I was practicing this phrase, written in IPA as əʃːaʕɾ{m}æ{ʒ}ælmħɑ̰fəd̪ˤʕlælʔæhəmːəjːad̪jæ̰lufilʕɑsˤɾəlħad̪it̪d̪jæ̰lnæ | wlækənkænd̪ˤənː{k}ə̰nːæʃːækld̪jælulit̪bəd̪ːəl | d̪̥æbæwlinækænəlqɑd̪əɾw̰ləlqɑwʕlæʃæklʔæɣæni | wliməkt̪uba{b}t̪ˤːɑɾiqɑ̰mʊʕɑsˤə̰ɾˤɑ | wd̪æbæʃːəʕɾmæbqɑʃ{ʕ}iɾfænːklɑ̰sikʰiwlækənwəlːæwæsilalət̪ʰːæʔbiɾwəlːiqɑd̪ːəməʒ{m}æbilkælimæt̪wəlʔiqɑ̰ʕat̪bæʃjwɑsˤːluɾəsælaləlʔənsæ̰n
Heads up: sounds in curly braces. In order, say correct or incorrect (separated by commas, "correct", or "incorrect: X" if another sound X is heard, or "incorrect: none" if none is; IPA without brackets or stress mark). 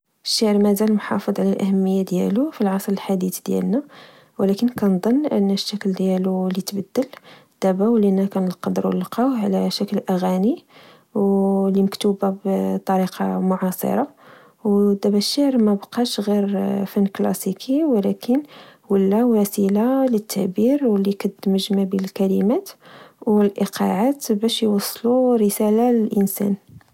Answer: correct, incorrect: z, incorrect: ʔ, correct, incorrect: ɣ, correct